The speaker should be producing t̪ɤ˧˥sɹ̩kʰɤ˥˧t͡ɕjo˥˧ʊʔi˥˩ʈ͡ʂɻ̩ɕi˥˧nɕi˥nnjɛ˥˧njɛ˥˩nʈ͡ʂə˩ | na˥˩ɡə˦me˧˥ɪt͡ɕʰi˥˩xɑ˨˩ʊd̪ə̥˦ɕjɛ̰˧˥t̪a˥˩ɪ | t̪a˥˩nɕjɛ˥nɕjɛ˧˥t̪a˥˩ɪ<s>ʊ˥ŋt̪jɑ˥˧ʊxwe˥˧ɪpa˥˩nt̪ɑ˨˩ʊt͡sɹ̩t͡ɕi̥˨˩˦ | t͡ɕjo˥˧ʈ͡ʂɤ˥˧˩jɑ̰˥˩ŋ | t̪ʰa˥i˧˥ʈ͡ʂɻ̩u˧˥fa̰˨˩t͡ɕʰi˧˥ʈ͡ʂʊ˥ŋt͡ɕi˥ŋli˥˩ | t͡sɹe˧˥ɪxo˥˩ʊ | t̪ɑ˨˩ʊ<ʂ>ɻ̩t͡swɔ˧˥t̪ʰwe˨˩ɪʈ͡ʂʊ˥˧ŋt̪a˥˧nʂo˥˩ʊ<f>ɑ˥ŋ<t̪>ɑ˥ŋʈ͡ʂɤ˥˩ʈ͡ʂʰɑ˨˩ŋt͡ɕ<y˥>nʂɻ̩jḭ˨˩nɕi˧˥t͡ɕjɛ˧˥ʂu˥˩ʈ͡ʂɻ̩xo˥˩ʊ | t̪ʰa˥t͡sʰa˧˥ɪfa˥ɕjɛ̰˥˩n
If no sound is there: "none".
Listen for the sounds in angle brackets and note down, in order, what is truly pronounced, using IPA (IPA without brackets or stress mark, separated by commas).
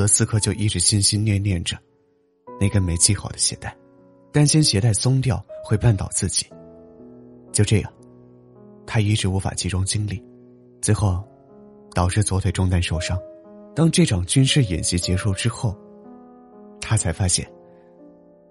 s, ʈ͡ʂ, ʂ, t̪, y˥